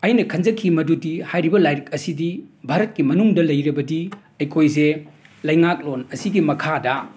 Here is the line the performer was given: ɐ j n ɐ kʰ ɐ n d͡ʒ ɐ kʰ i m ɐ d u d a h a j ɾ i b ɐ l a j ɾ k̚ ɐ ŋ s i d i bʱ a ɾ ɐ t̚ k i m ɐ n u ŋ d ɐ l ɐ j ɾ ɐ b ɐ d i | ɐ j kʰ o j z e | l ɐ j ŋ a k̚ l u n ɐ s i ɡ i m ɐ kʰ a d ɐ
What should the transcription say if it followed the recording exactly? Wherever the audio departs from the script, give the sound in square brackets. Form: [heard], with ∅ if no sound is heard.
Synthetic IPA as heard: ɐ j n ɐ kʰ ɐ n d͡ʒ ɐ kʰ i m ɐ d u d [i] h a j ɾ i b ɐ l a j ɾ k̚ ɐ [∅] s i d i bʱ a ɾ ɐ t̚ k i m ɐ n u ŋ d ɐ l ɐ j ɾ ɐ b ɐ d i | ɐ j kʰ o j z e | l ɐ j ŋ a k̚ l [o] n ɐ s i ɡ i m ɐ kʰ a d ɐ